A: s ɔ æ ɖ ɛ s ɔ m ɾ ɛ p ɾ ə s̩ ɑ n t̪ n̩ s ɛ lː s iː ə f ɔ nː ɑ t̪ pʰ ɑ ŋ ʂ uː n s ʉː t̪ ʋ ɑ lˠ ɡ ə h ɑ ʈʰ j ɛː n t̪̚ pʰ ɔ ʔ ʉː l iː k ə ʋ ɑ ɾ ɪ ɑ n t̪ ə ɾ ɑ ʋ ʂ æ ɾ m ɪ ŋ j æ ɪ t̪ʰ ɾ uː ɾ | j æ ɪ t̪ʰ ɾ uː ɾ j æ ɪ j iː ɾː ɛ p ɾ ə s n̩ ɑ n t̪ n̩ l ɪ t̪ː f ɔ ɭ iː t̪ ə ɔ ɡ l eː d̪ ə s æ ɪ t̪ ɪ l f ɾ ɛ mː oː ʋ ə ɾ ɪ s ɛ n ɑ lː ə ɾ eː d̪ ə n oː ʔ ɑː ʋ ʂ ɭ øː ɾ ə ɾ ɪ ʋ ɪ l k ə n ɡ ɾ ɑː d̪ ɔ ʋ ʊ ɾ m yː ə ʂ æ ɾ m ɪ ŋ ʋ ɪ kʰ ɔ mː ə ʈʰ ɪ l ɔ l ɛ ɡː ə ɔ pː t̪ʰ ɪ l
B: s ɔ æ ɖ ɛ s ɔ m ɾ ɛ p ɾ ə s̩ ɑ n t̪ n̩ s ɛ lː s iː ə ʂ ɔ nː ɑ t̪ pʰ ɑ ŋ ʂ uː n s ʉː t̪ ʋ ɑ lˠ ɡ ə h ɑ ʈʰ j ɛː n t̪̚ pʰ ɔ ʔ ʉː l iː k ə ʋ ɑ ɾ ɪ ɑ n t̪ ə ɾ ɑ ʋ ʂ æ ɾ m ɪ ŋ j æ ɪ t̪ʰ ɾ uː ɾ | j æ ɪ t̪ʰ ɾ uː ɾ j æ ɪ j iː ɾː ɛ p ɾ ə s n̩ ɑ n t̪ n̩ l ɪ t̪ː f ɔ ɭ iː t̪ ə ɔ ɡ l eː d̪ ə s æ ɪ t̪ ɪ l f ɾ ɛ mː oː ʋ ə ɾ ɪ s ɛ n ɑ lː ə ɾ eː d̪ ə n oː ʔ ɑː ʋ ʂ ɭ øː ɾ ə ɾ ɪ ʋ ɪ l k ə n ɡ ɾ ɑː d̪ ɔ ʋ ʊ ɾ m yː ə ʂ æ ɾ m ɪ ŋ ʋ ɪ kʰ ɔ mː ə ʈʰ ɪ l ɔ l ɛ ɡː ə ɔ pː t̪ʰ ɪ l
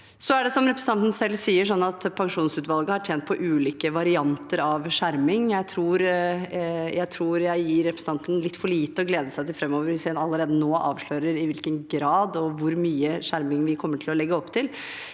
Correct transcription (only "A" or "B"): B